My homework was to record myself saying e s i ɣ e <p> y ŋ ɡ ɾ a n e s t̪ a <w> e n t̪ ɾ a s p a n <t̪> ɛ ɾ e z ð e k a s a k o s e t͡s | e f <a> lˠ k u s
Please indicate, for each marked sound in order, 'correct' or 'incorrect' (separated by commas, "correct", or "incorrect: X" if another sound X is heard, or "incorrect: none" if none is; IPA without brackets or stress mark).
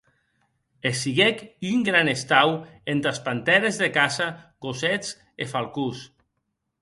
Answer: incorrect: k, correct, correct, correct